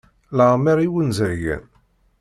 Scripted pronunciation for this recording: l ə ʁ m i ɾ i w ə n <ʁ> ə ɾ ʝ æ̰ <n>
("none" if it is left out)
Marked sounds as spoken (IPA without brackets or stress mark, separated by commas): z, n